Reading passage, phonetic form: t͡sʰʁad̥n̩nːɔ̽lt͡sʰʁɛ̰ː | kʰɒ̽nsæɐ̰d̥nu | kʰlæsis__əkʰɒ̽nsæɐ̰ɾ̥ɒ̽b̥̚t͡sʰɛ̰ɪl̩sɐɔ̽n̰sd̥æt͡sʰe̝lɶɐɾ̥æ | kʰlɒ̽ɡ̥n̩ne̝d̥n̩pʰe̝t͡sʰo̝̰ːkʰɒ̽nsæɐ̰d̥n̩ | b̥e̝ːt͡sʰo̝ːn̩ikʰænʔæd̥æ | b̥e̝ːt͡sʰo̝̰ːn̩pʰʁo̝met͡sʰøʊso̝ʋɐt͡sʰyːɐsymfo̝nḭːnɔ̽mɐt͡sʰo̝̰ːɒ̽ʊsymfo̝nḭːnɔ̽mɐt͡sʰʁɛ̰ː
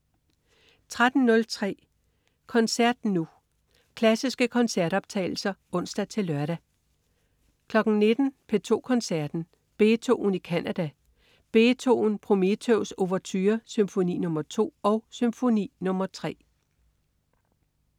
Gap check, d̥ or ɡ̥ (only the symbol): ɡ̥